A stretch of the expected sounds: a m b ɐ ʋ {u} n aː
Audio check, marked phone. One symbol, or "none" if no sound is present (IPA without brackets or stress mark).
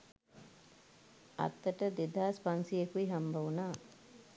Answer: u